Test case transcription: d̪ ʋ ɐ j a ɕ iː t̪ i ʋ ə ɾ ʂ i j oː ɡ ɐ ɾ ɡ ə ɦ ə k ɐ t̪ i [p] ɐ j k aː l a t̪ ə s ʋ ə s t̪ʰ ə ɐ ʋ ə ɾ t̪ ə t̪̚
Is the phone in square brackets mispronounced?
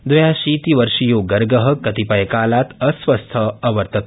no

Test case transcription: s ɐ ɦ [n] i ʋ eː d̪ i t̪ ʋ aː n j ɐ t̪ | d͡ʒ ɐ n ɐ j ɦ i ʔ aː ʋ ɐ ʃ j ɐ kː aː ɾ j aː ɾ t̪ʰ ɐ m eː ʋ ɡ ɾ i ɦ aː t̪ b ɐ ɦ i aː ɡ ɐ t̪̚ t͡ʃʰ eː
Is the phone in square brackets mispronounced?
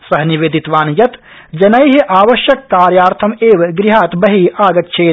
no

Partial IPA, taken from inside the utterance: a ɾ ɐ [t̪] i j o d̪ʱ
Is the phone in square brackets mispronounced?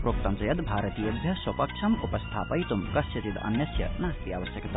no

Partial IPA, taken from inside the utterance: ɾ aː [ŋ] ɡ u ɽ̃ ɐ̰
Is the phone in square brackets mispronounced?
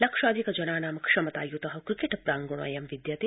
no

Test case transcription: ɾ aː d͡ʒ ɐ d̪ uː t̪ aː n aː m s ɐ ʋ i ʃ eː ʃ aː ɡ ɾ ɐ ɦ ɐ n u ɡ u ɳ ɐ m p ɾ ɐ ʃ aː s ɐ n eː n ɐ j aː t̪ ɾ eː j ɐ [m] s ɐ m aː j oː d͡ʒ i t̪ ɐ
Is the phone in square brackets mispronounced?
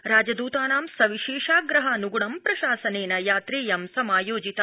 no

